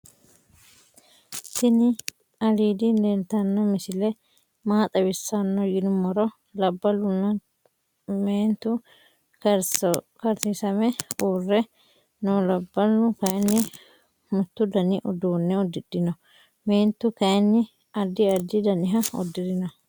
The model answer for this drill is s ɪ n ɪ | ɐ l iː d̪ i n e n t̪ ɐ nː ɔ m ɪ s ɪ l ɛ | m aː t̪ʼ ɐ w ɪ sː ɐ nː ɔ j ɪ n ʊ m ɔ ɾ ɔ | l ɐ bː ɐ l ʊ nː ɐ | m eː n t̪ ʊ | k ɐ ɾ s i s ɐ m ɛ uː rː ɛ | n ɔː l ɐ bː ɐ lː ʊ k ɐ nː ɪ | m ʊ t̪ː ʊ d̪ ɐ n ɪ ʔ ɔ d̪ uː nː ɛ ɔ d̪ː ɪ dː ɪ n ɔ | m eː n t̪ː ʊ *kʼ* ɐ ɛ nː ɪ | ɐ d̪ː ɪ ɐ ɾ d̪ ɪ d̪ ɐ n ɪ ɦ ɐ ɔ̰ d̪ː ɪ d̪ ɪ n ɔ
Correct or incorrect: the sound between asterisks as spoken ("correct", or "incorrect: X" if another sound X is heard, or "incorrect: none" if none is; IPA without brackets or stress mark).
incorrect: k